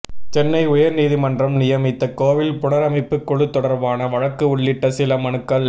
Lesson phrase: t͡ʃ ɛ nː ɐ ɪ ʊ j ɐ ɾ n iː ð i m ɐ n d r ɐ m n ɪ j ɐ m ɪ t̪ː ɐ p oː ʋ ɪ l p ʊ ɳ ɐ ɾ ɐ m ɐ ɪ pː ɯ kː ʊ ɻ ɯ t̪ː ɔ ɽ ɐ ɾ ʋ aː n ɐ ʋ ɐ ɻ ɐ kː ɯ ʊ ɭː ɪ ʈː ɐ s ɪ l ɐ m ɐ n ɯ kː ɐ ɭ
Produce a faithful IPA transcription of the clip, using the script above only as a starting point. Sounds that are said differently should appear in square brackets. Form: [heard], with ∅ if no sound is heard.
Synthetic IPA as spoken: t͡ʃ ɛ nː ɐ ɪ ʊ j ɐ ɾ n iː ð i m ɐ n d r ɐ m n ɪ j ɐ m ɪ t̪ː ɐ [k] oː ʋ ɪ l p ʊ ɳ ɐ ɾ ɐ m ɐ ɪ pː ɯ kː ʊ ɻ ɯ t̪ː ɔ ɽ ɐ ɾ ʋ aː n ɐ ʋ ɐ ɻ ɐ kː ɯ ʊ ɭː ɪ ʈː ɐ s ɪ l ɐ m ɐ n ɯ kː ɐ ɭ